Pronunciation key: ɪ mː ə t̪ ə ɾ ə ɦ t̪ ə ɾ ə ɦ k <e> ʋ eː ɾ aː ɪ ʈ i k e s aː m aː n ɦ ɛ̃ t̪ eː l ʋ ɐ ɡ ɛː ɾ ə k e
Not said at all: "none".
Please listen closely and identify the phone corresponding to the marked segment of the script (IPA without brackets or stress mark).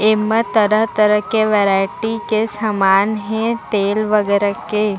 e